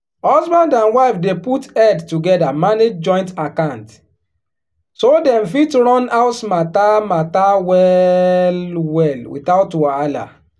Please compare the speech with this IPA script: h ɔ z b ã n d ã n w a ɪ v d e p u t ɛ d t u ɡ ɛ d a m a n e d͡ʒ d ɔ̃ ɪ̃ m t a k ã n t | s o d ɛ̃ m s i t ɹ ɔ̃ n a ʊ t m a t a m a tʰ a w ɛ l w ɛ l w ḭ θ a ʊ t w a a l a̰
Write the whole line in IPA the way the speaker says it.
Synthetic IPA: h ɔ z b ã n d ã n w a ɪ f d e p u t ɛ d t u ɡ ɛ d a m a n e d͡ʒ d͡ʒ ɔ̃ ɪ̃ n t a k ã n t | s o d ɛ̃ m f i t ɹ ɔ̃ n a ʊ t m a t a m a t a w ɛ l w ɛ l w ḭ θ a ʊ t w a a l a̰